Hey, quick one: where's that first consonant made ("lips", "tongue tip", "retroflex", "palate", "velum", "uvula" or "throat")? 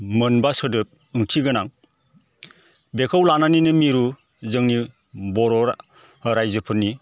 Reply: lips